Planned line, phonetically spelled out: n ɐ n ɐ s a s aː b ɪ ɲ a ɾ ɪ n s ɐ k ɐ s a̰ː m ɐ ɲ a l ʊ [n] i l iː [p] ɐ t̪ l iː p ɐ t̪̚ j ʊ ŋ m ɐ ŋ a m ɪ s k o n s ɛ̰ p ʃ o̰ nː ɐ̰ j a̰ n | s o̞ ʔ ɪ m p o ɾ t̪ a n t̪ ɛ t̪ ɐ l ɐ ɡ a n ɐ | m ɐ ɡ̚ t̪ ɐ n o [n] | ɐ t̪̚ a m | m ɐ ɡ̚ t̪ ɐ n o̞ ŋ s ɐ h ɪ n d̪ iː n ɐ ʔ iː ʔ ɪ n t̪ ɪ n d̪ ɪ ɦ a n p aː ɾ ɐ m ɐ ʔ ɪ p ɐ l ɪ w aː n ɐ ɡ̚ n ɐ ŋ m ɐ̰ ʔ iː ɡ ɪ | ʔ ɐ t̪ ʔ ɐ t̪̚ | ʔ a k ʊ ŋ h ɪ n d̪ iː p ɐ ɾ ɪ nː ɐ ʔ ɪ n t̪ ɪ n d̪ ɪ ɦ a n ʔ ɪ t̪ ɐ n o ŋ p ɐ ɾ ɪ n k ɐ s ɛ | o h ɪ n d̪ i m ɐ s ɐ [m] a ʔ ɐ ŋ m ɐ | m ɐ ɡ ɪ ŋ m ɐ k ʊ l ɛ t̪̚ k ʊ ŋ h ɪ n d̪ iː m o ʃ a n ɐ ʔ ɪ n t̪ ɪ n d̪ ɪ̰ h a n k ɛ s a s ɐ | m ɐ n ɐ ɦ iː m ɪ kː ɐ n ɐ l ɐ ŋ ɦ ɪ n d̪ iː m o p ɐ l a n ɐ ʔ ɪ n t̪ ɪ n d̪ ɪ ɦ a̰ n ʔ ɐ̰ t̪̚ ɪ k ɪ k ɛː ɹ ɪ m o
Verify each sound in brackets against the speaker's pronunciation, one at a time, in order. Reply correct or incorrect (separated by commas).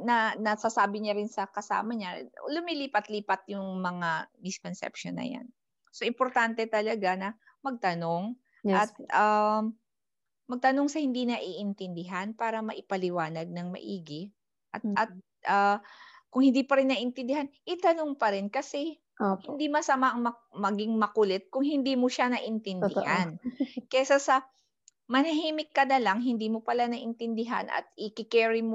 incorrect, correct, incorrect, correct